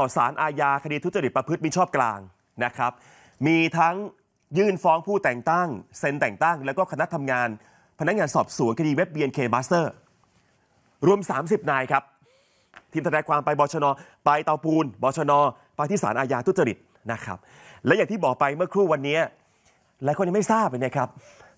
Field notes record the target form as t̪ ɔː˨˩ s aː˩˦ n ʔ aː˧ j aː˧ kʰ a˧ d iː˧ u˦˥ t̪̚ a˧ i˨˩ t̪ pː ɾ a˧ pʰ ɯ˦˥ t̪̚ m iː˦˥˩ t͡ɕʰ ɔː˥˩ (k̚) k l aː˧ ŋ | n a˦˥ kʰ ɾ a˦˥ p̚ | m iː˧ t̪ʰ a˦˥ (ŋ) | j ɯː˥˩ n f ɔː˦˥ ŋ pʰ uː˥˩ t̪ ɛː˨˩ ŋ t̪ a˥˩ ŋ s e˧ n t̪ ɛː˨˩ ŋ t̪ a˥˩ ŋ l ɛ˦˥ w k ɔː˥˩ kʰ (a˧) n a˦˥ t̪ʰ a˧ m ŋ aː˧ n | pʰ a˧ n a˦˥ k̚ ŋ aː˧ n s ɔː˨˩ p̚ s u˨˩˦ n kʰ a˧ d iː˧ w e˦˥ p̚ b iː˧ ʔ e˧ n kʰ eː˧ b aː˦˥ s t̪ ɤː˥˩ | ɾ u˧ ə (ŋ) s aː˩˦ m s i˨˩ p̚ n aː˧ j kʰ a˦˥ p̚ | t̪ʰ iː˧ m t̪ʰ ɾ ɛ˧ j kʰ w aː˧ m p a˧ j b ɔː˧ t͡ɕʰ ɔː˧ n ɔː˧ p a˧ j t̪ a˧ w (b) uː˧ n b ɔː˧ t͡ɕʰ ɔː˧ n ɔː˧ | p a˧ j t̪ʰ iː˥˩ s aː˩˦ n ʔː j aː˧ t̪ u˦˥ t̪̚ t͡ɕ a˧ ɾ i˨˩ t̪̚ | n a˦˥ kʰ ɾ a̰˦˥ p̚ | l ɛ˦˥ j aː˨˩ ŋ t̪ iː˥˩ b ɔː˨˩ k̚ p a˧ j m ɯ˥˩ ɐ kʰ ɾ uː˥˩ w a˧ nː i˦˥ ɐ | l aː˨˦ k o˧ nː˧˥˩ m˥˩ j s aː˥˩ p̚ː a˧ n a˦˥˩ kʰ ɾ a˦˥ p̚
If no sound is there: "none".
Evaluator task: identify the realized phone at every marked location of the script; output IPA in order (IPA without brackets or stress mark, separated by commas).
p̚, ŋ, a˧, m, p